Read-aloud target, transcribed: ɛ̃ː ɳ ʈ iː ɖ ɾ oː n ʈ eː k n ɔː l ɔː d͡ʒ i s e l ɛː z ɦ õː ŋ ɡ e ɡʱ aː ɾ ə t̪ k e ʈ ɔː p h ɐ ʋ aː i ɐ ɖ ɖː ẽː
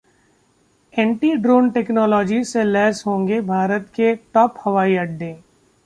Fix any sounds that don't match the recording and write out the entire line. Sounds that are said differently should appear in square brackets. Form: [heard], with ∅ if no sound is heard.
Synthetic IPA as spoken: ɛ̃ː ɳ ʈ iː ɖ ɾ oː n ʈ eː k n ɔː l ɔː d͡ʒ i s e l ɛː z ɦ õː ŋ ɡ e [bʱ] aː ɾ ə t̪ k e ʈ ɔː p h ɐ ʋ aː i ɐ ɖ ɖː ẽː